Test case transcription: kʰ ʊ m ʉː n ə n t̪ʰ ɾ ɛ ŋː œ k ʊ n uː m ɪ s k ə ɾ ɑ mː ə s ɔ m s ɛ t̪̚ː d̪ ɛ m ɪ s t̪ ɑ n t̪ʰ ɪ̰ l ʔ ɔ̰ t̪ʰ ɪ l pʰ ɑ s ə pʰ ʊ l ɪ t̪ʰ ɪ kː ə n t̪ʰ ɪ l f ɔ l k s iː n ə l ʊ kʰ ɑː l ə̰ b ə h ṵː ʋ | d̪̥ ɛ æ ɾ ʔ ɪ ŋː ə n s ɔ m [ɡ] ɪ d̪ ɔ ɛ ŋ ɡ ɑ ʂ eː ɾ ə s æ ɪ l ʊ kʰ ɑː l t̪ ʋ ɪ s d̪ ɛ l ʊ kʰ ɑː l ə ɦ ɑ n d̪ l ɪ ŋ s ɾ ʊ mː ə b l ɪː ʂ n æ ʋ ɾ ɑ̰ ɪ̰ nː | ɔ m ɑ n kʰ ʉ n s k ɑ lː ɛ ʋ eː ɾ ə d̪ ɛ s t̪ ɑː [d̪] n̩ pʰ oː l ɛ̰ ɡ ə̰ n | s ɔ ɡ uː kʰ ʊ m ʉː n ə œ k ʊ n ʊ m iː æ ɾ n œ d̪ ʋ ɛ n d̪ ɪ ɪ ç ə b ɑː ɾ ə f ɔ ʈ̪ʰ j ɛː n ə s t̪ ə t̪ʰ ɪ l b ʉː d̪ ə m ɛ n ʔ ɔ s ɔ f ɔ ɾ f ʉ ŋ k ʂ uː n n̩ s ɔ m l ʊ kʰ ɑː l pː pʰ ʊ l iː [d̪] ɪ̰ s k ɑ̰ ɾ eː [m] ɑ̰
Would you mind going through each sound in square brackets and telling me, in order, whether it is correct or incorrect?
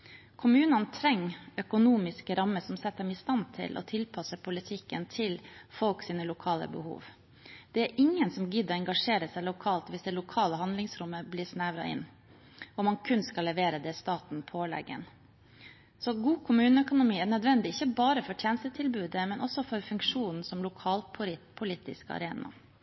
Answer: correct, incorrect: t̪, incorrect: t̪, incorrect: n

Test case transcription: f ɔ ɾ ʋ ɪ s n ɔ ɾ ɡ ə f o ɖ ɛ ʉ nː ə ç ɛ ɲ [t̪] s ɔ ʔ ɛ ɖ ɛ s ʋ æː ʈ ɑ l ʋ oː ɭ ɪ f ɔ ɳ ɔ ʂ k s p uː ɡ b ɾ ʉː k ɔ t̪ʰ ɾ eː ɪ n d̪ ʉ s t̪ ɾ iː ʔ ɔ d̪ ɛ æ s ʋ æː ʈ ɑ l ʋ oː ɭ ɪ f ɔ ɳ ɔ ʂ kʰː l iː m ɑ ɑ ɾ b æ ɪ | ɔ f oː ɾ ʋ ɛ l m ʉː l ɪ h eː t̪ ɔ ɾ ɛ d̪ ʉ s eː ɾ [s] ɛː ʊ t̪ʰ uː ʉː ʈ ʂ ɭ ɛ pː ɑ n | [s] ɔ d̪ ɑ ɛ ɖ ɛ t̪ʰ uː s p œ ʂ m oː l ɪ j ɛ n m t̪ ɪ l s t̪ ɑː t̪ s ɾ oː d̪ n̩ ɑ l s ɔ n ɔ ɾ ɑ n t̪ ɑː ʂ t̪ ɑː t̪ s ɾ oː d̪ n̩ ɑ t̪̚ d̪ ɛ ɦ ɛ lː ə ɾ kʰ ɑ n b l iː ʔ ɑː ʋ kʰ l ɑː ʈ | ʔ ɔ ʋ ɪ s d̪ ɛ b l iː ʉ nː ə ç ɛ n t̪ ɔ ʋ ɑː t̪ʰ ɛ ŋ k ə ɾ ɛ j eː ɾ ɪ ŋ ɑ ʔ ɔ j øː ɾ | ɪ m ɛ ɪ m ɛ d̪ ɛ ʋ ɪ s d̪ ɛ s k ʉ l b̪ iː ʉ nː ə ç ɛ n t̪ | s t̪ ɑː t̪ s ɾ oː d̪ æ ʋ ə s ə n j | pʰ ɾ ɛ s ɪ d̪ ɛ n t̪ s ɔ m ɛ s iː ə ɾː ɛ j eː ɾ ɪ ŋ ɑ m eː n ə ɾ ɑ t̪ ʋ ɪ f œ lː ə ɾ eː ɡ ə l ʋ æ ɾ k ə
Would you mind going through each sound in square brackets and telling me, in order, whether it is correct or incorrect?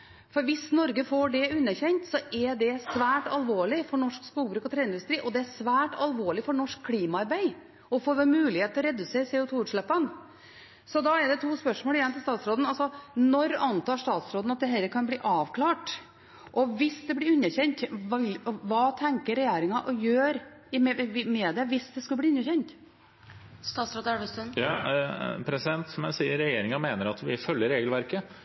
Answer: correct, correct, correct

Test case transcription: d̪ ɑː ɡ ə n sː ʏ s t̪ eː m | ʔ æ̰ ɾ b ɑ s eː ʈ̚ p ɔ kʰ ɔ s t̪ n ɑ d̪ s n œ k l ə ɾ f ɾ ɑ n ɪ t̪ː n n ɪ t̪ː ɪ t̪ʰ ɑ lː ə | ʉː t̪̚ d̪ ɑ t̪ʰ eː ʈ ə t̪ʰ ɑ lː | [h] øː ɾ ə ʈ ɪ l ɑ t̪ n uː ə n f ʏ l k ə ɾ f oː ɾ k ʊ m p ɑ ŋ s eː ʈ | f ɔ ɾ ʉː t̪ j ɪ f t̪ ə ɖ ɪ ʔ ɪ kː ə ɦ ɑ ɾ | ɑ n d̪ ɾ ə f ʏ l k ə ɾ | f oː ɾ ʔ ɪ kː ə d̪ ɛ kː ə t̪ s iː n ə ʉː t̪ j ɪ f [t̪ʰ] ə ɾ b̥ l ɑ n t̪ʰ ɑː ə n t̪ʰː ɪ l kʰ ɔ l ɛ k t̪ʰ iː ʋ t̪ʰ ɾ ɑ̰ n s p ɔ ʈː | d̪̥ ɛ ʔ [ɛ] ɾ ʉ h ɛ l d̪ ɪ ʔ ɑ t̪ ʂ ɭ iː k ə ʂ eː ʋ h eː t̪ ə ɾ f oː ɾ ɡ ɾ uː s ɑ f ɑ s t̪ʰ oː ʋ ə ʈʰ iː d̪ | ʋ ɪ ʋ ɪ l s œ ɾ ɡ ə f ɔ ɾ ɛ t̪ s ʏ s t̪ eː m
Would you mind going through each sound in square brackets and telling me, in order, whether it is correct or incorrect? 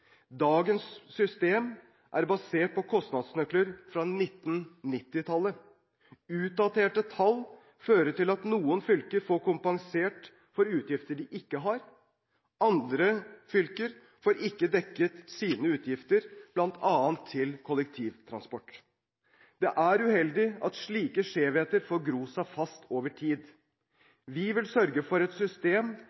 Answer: incorrect: f, incorrect: t̪, incorrect: æ

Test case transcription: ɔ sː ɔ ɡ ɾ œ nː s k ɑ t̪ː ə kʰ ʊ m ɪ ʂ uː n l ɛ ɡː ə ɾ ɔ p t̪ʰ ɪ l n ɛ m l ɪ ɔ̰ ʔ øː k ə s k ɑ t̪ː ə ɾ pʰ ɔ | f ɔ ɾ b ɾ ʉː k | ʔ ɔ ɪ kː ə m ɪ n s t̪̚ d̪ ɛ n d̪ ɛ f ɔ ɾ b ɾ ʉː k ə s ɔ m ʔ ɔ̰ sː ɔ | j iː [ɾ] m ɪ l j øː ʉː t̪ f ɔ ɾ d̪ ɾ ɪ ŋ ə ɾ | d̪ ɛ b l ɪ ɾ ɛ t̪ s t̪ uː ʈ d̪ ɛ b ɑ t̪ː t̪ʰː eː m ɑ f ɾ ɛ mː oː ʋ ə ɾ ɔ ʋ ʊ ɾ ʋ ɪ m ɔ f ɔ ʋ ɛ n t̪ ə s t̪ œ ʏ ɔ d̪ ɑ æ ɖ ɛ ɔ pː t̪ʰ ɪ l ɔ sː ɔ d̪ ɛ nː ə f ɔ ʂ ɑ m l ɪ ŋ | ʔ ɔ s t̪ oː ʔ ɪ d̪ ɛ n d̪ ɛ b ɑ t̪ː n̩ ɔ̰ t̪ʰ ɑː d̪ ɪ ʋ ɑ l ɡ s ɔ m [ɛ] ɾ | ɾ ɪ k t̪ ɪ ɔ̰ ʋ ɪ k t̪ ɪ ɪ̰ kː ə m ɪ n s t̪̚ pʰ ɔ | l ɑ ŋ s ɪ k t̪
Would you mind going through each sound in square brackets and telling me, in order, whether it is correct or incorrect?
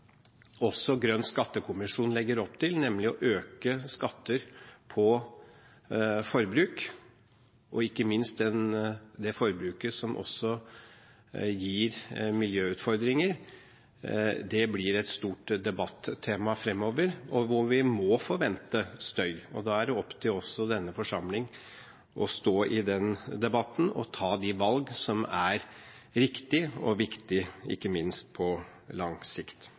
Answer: correct, incorrect: æ

